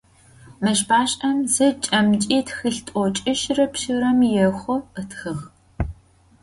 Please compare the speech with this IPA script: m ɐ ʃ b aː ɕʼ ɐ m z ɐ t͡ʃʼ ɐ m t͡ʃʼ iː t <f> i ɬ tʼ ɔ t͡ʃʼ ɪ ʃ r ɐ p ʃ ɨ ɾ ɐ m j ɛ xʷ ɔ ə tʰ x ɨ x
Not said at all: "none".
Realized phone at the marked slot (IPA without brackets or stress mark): x